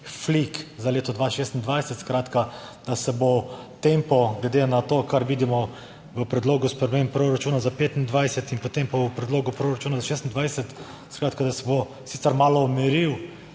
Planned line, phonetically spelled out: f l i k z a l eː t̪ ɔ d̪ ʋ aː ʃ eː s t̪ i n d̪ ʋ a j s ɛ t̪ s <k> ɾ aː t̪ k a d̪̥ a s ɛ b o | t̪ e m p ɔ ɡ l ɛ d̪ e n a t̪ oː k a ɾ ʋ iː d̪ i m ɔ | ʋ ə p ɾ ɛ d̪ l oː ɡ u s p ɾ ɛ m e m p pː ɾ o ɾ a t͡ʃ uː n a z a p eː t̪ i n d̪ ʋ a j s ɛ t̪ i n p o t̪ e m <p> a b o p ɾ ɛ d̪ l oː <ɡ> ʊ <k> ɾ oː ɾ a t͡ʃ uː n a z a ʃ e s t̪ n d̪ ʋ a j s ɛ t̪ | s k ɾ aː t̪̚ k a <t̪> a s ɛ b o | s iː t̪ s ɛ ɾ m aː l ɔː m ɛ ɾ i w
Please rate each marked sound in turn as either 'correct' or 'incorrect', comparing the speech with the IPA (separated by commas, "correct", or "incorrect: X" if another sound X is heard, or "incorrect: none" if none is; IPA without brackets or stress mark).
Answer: correct, correct, correct, incorrect: p, incorrect: d̪